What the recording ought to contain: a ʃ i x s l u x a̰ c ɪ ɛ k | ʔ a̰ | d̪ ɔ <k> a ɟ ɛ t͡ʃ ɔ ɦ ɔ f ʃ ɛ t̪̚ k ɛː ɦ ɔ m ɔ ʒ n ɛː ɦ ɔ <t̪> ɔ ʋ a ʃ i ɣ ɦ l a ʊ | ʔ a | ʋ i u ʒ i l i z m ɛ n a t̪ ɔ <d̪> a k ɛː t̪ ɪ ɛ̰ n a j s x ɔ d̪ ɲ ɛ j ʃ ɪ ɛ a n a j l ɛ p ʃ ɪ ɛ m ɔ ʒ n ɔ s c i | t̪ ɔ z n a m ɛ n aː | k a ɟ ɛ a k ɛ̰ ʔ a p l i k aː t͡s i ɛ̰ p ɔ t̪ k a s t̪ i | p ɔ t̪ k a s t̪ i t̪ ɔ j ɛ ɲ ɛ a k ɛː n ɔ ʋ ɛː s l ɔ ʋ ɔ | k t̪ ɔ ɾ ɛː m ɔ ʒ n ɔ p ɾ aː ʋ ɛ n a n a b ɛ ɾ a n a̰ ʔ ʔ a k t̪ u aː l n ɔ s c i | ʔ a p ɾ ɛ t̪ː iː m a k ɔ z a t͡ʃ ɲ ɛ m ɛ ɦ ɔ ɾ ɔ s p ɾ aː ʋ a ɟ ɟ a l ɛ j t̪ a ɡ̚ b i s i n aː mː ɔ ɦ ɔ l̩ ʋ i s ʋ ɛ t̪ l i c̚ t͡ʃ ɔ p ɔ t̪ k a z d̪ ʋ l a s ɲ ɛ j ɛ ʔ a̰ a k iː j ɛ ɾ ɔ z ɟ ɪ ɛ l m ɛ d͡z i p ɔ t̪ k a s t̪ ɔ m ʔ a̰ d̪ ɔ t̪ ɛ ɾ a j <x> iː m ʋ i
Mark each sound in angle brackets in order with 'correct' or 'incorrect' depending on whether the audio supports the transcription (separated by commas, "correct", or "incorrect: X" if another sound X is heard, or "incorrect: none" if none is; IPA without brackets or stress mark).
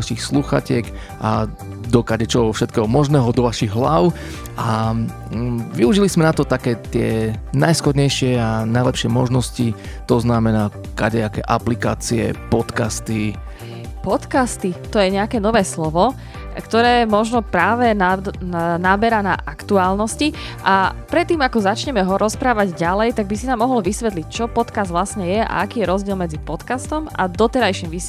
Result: correct, incorrect: d̪, incorrect: t̪, incorrect: ʃ